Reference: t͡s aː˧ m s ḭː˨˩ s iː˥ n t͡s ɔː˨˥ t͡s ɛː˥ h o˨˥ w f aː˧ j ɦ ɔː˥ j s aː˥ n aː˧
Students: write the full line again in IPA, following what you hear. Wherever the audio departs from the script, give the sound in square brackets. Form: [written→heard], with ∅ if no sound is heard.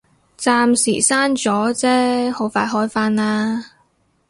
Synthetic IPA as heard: t͡s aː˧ m s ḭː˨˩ s [iː˥→aː˥] n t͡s ɔː˨˥ t͡s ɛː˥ h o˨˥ w f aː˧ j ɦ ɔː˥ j [s→f] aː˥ n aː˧